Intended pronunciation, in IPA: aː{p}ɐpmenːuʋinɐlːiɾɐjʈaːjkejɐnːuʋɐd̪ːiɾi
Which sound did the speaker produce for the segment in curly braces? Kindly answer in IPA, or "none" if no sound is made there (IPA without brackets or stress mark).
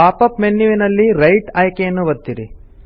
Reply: p